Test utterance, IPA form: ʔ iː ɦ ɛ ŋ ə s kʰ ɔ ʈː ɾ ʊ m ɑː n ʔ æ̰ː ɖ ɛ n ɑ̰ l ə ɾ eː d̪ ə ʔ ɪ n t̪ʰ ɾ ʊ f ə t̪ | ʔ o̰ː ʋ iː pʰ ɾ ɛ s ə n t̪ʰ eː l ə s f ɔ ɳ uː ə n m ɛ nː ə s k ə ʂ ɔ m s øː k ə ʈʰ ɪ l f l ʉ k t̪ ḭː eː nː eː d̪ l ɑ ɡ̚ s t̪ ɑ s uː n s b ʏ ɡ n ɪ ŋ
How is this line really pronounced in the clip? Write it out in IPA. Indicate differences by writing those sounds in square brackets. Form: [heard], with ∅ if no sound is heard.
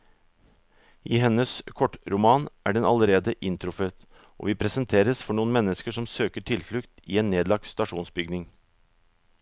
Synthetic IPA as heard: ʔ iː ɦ ɛ [n] ə s kʰ ɔ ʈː ɾ ʊ m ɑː n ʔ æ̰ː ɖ ɛ n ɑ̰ l ə ɾ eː d̪ ə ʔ ɪ n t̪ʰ ɾ ʊ f ə t̪ | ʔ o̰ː ʋ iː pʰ ɾ ɛ s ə n t̪ʰ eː [ɾ] ə s f ɔ ɳ uː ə n m ɛ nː ə s k ə ʂ ɔ m s øː k ə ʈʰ ɪ l f l ʉ k t̪ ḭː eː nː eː d̪ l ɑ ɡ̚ s t̪ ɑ [ʂ] uː n s b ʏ ɡ n ɪ ŋ

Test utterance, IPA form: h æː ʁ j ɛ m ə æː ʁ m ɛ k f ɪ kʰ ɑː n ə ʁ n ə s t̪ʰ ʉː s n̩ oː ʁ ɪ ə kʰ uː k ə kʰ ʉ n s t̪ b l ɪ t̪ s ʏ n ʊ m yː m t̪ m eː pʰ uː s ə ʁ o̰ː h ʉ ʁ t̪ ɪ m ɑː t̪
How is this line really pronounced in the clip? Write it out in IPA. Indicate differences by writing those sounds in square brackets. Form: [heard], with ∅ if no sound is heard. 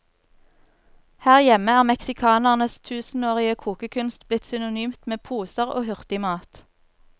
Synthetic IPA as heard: h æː ʁ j ɛ m ə æː ʁ m ɛ k [s] ɪ kʰ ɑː n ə ʁ n ə s t̪ʰ ʉː s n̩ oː ʁ ɪ ə kʰ uː k ə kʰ ʉ n s t̪ b l ɪ t̪ s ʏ n ʊ [n] yː m t̪ m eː pʰ uː s ə ʁ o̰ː h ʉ ʁ t̪ ɪ m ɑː t̪

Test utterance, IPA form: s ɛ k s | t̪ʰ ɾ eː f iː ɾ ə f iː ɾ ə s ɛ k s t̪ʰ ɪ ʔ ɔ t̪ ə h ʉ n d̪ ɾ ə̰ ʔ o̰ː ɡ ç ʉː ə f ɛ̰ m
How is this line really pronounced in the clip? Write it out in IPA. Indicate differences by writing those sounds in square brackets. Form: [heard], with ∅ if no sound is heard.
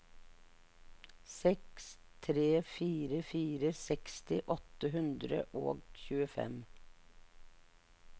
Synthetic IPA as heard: s ɛ k s | t̪ʰ ɾ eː f iː ɾ ə f iː ɾ ə s ɛ k s [t̪] ɪ ʔ ɔ t̪ ə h ʉ n d̪ ɾ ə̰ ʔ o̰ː ɡ ç ʉː ə f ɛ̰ m

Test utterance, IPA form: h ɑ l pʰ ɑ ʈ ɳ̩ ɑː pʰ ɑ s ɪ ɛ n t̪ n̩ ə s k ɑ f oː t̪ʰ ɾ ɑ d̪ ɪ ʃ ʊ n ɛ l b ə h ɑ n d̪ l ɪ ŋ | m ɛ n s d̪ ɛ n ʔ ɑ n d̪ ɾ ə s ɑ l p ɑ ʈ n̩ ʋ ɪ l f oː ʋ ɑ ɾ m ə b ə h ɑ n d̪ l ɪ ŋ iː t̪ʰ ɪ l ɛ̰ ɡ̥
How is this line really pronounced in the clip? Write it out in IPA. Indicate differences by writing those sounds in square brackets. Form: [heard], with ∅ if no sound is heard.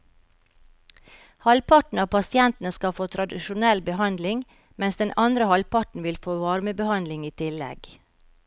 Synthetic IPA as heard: h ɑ l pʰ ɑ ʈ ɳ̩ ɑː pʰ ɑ s ɪ ɛ n t̪ n̩ ə s k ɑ f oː t̪ʰ ɾ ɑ d̪ ɪ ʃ ʊ n ɛ l b ə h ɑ n d̪ l ɪ ŋ | m ɛ n s d̪ ɛ n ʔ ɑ n d̪ ɾ ə [h] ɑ l p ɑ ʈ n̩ ʋ ɪ l f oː ʋ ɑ ɾ m ə b ə h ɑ n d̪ l ɪ ŋ iː t̪ʰ ɪ l ɛ̰ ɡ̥

